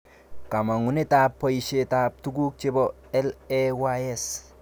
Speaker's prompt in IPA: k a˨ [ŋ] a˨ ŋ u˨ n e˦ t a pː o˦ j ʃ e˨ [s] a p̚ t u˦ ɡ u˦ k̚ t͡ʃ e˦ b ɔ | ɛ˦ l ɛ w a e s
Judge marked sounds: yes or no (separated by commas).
no, no